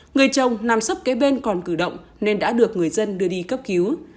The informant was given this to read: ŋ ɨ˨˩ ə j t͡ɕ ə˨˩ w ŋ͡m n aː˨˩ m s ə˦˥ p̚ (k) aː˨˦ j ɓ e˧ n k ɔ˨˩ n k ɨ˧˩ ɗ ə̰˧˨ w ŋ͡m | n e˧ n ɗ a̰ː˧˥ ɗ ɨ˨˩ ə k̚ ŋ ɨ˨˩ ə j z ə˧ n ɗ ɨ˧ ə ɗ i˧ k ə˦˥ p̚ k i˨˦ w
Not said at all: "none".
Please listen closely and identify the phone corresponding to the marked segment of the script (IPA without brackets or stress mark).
k